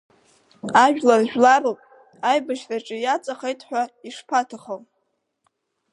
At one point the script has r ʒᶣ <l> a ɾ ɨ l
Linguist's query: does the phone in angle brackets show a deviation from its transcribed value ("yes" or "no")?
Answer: no